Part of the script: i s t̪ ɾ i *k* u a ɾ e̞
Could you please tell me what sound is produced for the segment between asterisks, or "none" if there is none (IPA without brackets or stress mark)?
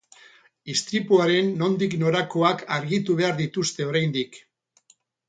p